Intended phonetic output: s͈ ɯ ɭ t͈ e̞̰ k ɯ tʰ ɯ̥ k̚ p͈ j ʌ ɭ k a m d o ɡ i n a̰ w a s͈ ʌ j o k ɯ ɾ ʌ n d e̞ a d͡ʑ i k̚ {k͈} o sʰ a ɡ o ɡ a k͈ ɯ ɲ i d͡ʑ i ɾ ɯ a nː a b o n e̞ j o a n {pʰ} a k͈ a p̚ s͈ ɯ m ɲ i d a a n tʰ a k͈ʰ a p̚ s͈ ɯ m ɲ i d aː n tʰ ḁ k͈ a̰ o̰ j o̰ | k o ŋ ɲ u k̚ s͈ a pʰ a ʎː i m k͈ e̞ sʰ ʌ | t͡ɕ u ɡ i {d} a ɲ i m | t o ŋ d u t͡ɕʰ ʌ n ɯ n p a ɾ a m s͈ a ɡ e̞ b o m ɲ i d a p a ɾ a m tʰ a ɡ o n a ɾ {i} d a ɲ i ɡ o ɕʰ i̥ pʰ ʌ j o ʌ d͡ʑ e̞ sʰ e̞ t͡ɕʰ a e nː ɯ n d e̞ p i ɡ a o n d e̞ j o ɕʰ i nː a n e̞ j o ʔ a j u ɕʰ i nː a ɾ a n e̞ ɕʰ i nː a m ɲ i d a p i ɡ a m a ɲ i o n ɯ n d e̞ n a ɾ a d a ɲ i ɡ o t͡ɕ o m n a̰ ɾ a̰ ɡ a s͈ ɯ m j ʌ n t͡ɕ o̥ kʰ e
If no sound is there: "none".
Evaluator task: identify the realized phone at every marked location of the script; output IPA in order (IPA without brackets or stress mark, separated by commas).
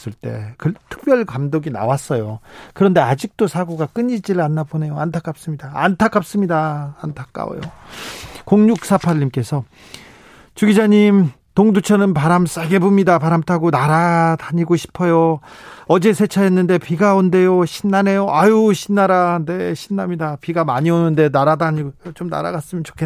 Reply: t͈, tʰ, d͡ʑ, a